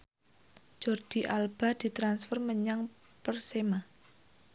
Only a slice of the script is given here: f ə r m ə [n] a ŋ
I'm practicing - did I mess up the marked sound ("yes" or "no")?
yes